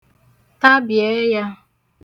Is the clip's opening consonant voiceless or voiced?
voiceless